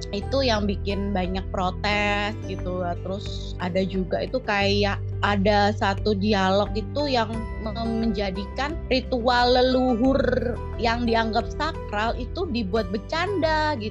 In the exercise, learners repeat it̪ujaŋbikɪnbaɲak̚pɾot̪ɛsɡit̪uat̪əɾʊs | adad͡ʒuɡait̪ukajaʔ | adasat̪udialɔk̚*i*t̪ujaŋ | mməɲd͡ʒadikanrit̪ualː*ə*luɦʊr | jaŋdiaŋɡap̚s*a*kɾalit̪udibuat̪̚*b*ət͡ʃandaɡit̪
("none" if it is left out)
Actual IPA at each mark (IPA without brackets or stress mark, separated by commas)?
i, ə, a, b